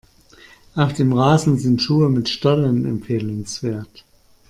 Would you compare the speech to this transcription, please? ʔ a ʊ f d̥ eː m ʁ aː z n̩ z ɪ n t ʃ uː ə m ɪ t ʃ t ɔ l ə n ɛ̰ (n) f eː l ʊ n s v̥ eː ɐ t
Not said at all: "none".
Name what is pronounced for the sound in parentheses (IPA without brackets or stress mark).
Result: m